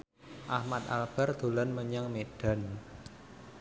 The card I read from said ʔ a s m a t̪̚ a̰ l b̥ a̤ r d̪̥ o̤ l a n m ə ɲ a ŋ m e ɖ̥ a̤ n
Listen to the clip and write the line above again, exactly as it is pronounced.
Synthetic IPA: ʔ a h m a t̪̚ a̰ l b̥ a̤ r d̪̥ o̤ l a n m ə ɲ a ŋ m e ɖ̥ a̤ n

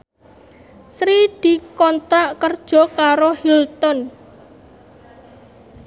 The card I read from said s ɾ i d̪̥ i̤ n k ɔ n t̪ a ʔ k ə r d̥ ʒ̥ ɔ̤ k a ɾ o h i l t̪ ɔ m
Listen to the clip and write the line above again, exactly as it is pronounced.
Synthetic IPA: s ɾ i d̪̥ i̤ k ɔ n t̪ a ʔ k ə r d̥ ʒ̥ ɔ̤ k a ɾ o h i l t̪ ɔ n

